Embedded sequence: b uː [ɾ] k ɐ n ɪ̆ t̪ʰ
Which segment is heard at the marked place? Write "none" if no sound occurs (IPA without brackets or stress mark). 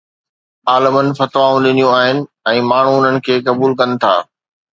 l